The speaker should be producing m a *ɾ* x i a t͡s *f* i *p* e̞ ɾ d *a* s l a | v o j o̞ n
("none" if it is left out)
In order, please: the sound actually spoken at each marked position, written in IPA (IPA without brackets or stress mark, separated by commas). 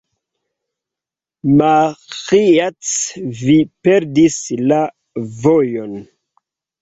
none, v, p, i